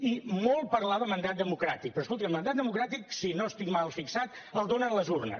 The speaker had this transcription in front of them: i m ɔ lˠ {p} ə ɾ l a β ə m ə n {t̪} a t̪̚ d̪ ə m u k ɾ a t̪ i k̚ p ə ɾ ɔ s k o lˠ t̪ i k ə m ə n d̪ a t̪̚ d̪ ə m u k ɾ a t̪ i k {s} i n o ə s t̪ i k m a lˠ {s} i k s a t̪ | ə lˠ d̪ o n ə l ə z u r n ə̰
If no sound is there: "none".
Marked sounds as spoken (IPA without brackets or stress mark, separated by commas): p, d̪, s, f